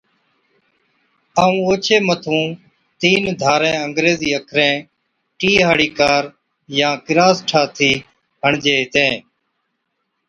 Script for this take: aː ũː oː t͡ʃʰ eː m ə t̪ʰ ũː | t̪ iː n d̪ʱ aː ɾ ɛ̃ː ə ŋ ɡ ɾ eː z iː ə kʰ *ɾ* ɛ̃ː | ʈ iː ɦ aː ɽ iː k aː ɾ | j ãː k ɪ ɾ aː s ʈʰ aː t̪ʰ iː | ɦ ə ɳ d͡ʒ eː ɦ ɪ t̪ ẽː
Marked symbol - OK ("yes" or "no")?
yes